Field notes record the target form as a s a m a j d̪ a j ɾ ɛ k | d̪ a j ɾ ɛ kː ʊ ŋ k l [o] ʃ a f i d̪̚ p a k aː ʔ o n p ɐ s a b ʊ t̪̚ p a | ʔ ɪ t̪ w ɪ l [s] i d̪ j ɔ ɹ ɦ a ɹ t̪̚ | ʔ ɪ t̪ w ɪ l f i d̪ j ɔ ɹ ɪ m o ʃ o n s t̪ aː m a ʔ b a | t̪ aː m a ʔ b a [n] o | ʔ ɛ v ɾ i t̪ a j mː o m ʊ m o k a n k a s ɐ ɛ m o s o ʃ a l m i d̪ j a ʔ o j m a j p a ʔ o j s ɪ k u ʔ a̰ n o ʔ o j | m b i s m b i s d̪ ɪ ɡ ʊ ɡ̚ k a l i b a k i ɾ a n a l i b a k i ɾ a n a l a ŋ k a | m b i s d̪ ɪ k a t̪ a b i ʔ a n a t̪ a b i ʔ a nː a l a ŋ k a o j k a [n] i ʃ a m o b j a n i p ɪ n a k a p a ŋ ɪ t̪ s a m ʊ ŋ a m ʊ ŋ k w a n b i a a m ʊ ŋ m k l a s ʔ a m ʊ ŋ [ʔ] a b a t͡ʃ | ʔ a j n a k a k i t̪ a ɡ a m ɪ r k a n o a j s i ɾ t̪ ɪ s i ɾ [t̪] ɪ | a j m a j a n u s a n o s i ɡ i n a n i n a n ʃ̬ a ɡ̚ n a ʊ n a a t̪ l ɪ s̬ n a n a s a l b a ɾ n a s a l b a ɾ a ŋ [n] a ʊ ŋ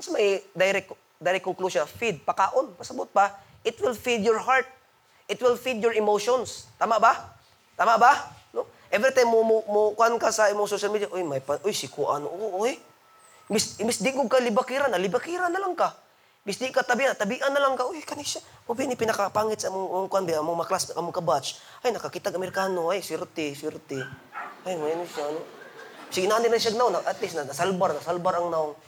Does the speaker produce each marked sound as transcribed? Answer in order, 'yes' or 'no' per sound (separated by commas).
no, no, yes, yes, no, yes, yes